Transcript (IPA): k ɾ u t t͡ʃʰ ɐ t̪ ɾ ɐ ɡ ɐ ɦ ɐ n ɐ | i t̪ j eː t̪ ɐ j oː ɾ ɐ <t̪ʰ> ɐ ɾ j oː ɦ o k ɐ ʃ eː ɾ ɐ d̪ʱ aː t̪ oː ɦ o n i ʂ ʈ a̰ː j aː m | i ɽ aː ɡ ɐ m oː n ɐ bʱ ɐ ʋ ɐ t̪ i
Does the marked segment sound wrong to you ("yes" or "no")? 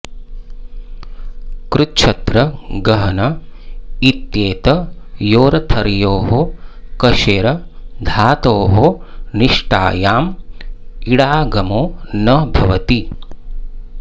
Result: no